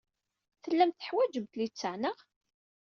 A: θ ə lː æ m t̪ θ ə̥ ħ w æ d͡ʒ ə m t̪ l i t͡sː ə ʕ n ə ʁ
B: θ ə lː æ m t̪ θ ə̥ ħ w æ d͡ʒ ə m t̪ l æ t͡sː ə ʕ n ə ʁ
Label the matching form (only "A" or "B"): A